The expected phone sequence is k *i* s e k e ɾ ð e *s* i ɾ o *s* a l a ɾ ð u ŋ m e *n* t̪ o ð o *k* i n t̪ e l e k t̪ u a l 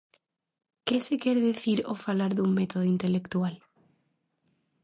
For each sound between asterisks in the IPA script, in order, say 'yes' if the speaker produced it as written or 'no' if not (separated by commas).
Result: no, no, no, no, no